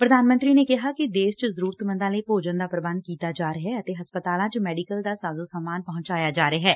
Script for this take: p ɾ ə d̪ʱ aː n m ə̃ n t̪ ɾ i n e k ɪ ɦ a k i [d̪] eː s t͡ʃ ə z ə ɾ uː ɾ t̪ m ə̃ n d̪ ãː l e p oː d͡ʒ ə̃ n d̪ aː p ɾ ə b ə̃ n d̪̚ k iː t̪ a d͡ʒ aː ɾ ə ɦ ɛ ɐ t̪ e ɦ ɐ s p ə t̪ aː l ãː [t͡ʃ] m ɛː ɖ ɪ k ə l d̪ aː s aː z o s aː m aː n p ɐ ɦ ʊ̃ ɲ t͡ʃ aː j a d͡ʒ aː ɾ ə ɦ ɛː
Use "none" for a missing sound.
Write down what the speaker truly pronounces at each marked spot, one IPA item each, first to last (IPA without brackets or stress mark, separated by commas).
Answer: d̪, t͡ʃ